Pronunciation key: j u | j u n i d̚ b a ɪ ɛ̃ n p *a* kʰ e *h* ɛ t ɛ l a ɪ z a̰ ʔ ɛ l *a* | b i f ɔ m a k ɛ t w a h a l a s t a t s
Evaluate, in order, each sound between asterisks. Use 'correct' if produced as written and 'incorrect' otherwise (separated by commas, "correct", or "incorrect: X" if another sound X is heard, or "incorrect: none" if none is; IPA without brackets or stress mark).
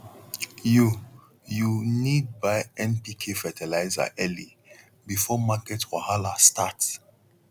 incorrect: i, incorrect: f, incorrect: i